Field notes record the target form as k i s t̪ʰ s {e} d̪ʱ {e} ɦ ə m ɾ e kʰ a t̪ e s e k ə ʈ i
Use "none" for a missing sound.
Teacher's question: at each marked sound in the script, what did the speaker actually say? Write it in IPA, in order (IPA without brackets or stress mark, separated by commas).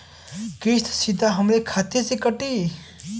i, a